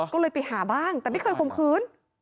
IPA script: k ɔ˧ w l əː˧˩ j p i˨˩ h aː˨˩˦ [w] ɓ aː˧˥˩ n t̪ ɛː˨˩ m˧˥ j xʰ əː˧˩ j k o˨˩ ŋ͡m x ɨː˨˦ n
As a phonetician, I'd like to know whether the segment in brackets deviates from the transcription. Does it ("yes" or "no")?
yes